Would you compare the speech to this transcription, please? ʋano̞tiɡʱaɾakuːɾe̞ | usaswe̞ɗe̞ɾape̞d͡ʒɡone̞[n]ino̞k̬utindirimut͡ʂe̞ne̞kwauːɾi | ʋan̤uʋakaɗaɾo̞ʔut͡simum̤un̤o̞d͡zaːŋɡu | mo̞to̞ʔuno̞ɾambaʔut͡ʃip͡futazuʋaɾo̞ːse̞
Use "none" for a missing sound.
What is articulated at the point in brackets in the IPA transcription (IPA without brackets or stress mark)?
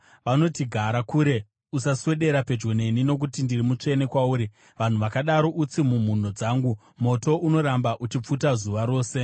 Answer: n